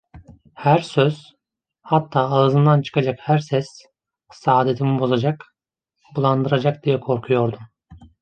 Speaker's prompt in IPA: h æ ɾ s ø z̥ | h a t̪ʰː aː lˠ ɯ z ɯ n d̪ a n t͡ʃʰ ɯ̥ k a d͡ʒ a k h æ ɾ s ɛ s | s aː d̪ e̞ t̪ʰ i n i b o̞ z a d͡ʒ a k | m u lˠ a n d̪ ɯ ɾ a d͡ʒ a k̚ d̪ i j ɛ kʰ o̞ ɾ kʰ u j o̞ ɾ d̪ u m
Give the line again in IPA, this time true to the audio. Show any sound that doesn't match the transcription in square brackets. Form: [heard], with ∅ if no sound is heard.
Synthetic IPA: h æ ɾ s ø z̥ | h a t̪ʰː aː lˠ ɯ z ɯ n d̪ a n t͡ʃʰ ɯ̥ k a d͡ʒ a k h æ ɾ s ɛ s | s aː d̪ e̞ t̪ʰ i [m] i b o̞ z a d͡ʒ a k | [b] u lˠ a n d̪ ɯ ɾ a d͡ʒ a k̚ d̪ i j ɛ kʰ o̞ ɾ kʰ u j o̞ ɾ d̪ u m